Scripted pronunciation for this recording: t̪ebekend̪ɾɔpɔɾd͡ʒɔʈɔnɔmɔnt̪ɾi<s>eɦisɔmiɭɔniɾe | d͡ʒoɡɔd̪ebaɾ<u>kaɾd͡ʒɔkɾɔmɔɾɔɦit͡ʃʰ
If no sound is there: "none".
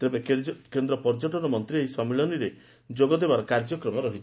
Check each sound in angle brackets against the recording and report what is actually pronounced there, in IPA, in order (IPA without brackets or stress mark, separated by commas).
none, ɔ